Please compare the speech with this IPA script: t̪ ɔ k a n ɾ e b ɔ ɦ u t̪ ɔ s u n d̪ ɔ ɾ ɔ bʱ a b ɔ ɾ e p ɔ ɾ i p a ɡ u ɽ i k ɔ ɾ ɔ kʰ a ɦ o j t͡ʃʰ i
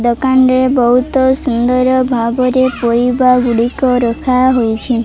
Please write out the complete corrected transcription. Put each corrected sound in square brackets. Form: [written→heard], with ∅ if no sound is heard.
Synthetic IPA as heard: [t̪→d̪] ɔ k a n ɾ e b ɔ ɦ u t̪ ɔ s u n d̪ ɔ ɾ ɔ bʱ a b ɔ ɾ e p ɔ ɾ i [p→b] a ɡ u ɽ i k ɔ ɾ ɔ kʰ a ɦ o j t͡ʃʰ i